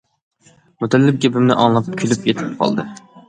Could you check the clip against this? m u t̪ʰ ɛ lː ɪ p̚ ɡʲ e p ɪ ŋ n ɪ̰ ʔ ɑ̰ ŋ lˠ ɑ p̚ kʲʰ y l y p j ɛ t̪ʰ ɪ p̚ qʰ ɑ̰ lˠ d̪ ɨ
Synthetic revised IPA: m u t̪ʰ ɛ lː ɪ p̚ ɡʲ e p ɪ m n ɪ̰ ʔ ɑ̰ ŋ lˠ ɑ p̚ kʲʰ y l y p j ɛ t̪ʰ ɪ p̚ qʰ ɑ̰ lˠ d̪ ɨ